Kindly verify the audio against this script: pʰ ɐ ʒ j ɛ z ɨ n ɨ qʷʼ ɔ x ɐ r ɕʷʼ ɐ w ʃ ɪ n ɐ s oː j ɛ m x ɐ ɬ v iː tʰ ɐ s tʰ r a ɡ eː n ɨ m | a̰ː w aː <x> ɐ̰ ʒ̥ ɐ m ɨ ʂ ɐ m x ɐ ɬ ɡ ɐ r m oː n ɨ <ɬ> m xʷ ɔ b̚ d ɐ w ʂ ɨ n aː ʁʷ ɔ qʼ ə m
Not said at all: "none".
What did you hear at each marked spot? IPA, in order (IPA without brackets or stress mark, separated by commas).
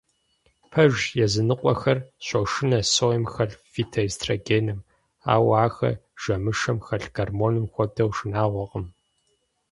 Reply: x, none